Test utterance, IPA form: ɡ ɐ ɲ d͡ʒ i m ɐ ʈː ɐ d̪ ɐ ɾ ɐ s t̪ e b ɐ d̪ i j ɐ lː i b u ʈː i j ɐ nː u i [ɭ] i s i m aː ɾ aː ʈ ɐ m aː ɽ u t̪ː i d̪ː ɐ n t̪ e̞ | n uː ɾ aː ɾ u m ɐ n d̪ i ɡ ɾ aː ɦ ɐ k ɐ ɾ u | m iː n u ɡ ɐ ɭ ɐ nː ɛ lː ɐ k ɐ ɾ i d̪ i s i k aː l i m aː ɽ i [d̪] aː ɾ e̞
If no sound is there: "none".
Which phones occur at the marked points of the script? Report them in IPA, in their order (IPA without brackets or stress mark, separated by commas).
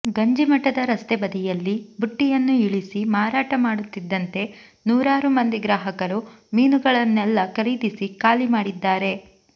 ɭ, d̪ː